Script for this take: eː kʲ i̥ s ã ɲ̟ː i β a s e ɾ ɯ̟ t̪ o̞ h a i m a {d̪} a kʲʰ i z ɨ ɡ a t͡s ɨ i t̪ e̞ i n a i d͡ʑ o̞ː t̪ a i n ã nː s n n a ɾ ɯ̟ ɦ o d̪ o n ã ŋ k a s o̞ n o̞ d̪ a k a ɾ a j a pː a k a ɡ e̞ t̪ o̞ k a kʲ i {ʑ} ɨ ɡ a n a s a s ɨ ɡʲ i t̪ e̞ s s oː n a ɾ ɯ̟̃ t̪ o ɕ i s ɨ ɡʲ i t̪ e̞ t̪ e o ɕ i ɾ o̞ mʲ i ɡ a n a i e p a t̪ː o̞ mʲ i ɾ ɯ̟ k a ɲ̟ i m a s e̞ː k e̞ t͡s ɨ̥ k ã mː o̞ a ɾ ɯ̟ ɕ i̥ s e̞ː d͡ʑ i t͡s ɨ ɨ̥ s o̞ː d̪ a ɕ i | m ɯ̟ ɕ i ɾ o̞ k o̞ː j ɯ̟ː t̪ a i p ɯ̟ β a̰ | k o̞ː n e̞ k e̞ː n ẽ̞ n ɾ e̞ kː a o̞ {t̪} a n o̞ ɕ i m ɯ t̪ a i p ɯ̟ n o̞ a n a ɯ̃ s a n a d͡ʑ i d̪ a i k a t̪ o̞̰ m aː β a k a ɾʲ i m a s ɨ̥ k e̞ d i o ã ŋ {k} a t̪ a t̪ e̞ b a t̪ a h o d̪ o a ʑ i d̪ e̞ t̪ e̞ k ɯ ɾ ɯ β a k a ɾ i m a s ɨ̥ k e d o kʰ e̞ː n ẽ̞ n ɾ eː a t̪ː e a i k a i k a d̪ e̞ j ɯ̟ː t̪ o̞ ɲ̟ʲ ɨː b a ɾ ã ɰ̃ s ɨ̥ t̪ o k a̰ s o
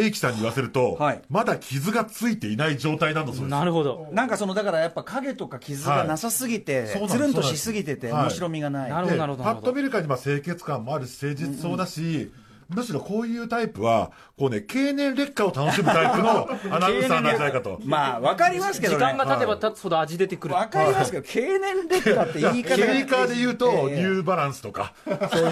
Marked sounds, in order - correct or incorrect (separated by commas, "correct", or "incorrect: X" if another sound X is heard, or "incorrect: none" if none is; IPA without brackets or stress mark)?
correct, incorrect: z, correct, incorrect: ɡ